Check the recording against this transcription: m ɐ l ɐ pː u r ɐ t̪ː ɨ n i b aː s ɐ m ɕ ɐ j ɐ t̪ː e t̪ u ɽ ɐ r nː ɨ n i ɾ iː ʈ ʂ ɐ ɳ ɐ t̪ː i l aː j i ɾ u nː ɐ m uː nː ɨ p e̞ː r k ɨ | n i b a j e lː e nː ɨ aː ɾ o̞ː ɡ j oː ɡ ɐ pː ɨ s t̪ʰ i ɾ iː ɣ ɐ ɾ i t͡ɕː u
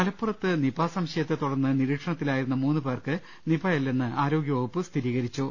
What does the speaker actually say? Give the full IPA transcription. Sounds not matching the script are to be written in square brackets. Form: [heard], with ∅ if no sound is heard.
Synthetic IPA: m ɐ l ɐ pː u r ɐ t̪ː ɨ n i b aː s ɐ m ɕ ɐ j ɐ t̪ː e t̪ u ɽ ɐ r nː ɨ n i ɾ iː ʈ ʂ ɐ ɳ ɐ t̪ː i l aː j i ɾ u nː ɐ m uː nː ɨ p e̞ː r k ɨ | n i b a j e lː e nː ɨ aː ɾ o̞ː ɡ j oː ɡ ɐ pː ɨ s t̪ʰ i ɾ iː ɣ ɐ ɾ i t͡ɕː u

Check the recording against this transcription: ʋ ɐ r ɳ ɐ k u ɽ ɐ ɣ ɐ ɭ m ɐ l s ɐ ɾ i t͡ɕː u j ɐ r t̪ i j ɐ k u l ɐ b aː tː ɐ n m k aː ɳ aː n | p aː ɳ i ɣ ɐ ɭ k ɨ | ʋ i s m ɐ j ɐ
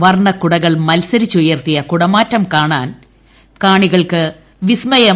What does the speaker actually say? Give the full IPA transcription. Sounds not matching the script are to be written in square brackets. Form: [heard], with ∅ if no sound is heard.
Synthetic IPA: ʋ ɐ r ɳ ɐ k u ɽ ɐ ɣ ɐ ɭ m ɐ l s ɐ ɾ i t͡ɕː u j ɐ r t̪ i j ɐ k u [ɽ] ɐ [m] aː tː ɐ [∅] m k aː ɳ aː n | [k] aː ɳ i ɣ ɐ ɭ k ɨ | ʋ i s m ɐ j ɐ

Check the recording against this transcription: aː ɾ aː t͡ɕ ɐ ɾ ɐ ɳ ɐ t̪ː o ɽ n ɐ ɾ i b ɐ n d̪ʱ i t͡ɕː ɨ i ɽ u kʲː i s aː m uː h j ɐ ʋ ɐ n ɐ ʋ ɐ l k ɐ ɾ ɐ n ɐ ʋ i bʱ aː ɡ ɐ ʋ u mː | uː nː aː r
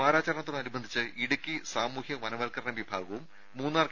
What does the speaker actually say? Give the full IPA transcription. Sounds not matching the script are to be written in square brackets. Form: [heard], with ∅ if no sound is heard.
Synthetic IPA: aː ɾ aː t͡ɕ ɐ ɾ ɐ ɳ ɐ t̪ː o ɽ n ɐ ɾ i b ɐ n d̪ʱ i t͡ɕː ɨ i ɽ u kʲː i s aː m uː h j ɐ ʋ ɐ n ɐ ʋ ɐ l k ɐ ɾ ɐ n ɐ ʋ i bʱ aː ɡ ɐ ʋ u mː | uː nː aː r

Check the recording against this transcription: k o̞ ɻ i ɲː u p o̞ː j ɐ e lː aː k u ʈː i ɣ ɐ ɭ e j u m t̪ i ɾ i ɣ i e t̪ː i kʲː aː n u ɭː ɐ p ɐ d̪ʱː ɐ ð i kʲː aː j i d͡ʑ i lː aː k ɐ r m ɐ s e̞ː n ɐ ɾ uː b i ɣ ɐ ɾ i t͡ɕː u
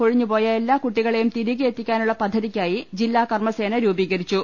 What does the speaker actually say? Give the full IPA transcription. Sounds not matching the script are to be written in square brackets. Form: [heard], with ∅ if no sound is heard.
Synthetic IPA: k o̞ ɻ i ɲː u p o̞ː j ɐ e lː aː k u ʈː i ɣ ɐ ɭ e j u m t̪ i ɾ i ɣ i e t̪ː i kʲː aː n u ɭː ɐ p ɐ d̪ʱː ɐ ð i kʲː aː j i d͡ʑ i lː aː k ɐ r m ɐ s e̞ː n ɐ ɾ uː b [iː] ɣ ɐ ɾ i t͡ɕː u

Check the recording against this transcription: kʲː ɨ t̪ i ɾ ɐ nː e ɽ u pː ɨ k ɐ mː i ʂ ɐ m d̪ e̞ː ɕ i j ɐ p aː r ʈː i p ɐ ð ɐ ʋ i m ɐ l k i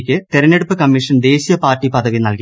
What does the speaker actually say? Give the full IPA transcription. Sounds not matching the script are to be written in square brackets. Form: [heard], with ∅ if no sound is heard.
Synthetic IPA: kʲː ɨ t̪ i ɾ ɐ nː e ɽ u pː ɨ k ɐ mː i ʂ ɐ [n] d̪ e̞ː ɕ i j ɐ p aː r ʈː i p ɐ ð ɐ ʋ i [n] ɐ l k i

